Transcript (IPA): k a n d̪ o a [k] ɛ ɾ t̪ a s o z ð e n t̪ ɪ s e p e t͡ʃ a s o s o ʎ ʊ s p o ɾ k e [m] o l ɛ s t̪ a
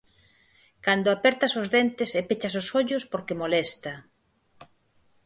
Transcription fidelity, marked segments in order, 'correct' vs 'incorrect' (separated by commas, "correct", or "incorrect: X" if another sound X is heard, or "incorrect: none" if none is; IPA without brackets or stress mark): incorrect: p, correct